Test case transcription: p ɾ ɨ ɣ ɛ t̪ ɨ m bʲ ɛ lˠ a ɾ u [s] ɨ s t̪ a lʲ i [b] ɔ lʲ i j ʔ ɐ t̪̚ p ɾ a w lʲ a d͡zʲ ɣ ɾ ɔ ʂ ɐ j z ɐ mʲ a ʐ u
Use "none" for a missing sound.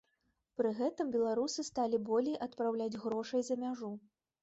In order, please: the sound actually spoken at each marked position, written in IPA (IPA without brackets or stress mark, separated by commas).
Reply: s, b